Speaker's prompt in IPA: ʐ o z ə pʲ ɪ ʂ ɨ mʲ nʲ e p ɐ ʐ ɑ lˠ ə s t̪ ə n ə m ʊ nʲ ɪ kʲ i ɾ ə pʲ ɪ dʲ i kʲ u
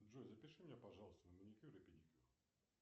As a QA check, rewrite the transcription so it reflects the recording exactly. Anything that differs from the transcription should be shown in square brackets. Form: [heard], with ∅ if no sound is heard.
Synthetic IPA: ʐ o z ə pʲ ɪ ʂ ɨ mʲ nʲ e p ɐ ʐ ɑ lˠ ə s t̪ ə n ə m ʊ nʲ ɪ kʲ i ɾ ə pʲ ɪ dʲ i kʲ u